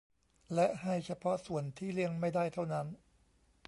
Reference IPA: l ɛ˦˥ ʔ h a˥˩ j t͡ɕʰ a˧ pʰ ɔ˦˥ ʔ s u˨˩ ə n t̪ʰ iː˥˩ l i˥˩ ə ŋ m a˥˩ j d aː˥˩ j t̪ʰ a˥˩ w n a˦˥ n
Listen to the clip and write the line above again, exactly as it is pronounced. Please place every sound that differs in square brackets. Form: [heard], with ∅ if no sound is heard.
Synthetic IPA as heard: l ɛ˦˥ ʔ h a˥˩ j t͡ɕʰ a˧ pʰ ɔ˦˥ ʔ s u˨˩ ə n t̪ʰ iː˥˩ l i˥˩ ə ŋ m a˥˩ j d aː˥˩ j t̪ʰ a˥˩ w n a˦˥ n